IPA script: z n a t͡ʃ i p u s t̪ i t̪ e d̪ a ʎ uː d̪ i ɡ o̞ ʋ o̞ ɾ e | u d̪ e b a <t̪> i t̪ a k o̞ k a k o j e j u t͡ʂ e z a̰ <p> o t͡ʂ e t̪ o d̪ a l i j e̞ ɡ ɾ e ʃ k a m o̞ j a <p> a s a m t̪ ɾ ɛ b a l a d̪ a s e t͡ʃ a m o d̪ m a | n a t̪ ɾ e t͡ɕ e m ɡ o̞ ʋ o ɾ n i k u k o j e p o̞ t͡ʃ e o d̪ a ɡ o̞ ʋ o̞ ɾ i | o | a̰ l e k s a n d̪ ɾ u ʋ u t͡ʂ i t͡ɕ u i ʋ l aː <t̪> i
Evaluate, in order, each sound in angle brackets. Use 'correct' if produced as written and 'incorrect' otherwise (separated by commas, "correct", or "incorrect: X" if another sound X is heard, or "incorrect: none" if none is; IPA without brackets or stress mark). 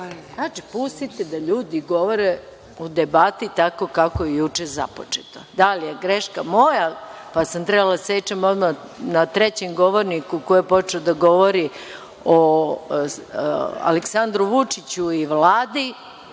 correct, correct, correct, incorrect: d̪